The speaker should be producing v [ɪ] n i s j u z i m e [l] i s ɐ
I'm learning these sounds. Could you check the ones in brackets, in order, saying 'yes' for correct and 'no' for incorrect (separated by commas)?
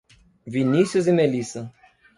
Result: no, yes